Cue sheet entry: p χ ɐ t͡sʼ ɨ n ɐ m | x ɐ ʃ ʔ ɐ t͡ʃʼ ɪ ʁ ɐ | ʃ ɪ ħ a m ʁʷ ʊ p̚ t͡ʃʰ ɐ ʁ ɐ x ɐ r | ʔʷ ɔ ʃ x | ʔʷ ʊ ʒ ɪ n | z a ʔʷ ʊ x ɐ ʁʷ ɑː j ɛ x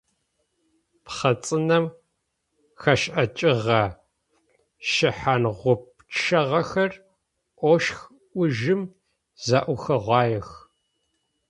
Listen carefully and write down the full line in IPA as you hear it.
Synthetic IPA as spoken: p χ ɐ t͡sʼ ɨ n ɐ m | x ɐ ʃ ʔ ɐ t͡ʃʼ ɪ ʁ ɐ | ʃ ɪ ħ a n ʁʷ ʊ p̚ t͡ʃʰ ɐ ʁ ɐ x ɐ r | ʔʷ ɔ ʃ x | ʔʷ ʊ ʒ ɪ m | z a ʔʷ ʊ x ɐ ʁʷ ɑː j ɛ x